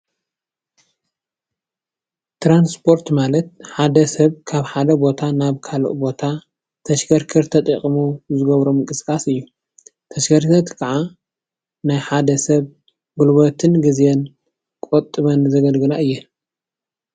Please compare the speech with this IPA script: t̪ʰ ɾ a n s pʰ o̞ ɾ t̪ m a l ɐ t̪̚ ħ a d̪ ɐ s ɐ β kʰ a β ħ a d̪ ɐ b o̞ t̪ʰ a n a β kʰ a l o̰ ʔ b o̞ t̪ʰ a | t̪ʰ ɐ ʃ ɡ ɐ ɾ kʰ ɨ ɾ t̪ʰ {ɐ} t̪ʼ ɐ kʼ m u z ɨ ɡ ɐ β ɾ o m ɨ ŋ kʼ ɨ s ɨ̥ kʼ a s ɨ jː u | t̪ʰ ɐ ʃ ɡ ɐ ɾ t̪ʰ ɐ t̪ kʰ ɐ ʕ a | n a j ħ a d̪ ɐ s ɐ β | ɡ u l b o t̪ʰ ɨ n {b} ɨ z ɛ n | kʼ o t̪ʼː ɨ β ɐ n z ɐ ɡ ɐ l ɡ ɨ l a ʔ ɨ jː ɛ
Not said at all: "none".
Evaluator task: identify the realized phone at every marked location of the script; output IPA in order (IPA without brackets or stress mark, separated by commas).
ɐ, ɡ